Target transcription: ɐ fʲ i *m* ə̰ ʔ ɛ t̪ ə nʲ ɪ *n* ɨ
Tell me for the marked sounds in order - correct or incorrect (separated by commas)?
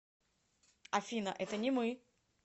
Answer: incorrect, incorrect